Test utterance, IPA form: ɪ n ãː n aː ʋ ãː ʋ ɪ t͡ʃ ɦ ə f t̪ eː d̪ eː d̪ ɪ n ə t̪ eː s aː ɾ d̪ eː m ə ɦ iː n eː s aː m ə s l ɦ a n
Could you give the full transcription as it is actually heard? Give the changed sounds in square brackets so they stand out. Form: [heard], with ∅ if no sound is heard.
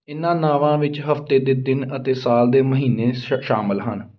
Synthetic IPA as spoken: ɪ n ãː n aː ʋ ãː ʋ ɪ t͡ʃ ɦ ə f t̪ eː d̪ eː d̪ ɪ n ə t̪ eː s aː [l] d̪ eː m ə ɦ iː n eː [ʃ] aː m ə [∅] l ɦ [ə] n

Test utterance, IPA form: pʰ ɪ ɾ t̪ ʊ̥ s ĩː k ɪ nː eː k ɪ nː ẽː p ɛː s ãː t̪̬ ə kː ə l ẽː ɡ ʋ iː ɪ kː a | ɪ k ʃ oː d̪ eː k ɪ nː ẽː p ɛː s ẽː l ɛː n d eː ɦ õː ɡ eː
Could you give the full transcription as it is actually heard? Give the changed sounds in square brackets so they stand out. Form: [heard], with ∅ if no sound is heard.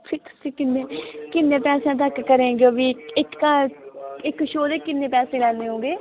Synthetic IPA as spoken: pʰ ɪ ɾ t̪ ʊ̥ s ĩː k ɪ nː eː k ɪ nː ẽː p ɛː s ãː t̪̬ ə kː ə [ɾ] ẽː ɡ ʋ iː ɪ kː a | ɪ k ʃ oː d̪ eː k ɪ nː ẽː p ɛː s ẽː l ɛː n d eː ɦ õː ɡ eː

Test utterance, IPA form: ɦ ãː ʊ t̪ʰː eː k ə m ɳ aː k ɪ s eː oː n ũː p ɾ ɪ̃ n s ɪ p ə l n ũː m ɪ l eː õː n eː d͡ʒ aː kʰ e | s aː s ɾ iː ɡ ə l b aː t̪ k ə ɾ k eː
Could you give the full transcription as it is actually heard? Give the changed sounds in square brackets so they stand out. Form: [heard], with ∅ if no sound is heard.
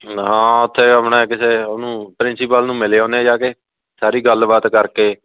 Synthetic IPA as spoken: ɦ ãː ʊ t̪ʰː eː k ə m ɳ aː k ɪ s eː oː n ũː p ɾ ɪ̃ n s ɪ p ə l n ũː m ɪ l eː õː n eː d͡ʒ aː [k] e | s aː [∅] ɾ iː ɡ ə l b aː t̪ k ə ɾ k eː

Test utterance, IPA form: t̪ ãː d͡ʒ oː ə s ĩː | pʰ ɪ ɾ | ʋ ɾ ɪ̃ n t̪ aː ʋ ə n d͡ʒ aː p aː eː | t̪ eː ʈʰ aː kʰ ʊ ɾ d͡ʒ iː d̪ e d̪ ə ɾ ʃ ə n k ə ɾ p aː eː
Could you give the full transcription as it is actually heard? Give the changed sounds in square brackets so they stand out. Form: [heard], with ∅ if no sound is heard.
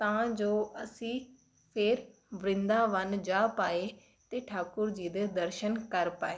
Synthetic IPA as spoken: t̪ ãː d͡ʒ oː ə s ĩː | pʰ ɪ ɾ | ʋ ɾ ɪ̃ n [d̪] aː ʋ ə n d͡ʒ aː p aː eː | t̪ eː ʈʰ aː [k] ʊ ɾ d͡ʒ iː d̪ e d̪ ə ɾ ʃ ə n k ə ɾ p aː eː

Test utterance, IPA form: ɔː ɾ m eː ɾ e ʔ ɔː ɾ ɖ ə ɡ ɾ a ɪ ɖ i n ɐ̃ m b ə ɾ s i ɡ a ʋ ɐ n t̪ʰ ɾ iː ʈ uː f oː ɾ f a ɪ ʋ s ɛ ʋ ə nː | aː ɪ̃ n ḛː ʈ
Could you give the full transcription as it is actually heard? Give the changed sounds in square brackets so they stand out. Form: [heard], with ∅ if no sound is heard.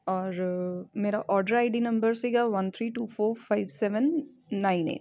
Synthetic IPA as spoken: ɔː ɾ m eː ɾ [a] ʔ ɔː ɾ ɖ ə [∅] ɾ a ɪ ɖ i n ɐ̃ m b ə ɾ s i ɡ a ʋ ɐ n t̪ʰ ɾ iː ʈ uː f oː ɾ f a ɪ ʋ s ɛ ʋ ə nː | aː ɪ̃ n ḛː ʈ

